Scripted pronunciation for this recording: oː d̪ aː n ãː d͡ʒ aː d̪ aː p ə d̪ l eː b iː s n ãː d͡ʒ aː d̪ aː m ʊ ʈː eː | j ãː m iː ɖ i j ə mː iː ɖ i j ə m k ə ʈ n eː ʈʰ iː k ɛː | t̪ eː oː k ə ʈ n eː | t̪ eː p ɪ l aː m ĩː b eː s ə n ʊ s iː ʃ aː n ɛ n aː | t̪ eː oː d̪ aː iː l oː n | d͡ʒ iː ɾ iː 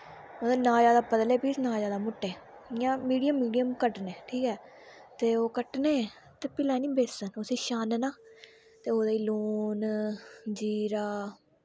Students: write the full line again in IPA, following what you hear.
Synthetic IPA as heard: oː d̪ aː n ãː d͡ʒ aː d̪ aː p ə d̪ l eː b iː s n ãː d͡ʒ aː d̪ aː m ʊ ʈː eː | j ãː m iː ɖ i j ə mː iː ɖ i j ə m k ə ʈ n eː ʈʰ iː k ɛː | t̪ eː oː k ə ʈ n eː | t̪ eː p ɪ l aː n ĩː b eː s ə n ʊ s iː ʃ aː n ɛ n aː | t̪ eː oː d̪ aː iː l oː n | d͡ʒ iː ɾ aː